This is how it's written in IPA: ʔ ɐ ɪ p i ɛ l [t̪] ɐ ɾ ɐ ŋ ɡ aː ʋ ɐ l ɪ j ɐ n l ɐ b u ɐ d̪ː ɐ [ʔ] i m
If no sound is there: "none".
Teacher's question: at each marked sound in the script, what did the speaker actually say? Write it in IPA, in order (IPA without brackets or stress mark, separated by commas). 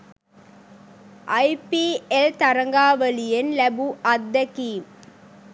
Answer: t̪, k